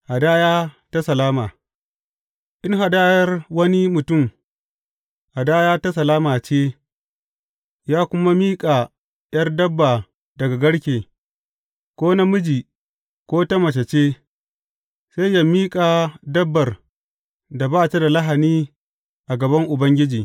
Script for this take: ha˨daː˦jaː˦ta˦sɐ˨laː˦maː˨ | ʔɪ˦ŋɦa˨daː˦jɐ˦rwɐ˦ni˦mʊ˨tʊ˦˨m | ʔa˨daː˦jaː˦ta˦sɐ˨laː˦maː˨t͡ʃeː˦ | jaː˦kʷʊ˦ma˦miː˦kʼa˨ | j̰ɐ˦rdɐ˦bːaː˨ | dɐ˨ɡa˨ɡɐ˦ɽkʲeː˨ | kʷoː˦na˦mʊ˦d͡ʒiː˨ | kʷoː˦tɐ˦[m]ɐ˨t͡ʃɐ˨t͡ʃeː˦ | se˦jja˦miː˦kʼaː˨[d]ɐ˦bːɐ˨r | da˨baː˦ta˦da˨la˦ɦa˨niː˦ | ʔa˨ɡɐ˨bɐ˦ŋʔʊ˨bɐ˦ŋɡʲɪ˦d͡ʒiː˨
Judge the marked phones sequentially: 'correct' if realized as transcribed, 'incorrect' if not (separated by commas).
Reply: correct, correct